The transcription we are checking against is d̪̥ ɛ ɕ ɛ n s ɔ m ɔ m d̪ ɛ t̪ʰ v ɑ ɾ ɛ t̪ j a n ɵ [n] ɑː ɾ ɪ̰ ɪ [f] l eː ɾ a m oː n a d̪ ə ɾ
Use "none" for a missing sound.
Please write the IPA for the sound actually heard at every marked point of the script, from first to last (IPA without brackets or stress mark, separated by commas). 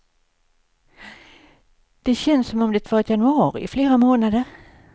none, f